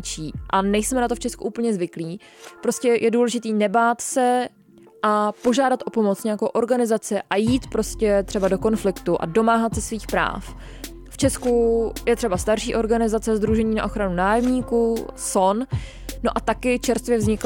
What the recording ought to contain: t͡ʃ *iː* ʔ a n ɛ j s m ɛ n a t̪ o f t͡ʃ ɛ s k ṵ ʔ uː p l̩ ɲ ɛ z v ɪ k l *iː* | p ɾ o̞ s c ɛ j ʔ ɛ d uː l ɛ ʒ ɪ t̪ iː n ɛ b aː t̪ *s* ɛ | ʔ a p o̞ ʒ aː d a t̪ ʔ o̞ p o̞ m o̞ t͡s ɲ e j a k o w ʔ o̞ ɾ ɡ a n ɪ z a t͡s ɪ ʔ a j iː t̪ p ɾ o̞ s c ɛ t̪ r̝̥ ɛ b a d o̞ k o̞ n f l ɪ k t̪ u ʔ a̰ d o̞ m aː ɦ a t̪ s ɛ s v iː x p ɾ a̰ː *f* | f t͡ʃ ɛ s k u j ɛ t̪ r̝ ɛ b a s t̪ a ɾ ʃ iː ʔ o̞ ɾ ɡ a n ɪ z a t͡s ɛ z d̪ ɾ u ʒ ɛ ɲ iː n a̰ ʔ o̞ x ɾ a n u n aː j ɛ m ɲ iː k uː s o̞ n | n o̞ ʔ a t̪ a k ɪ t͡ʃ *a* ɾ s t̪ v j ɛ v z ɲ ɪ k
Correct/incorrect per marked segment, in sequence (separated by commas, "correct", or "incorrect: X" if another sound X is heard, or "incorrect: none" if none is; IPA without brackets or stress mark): correct, correct, correct, correct, incorrect: ɛ